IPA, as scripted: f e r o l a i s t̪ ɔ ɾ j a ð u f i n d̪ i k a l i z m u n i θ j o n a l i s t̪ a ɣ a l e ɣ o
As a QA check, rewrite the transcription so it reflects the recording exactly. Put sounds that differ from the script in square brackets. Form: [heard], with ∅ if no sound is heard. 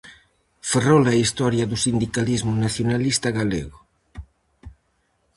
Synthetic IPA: f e r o l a i s t̪ ɔ ɾ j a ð u [s] i n d̪ i k a l i z m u n [a] θ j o n a l i s t̪ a ɣ a l e ɣ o